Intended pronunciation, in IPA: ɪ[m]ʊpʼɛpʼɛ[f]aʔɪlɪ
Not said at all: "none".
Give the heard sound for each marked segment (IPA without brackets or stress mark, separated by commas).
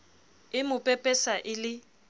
m, s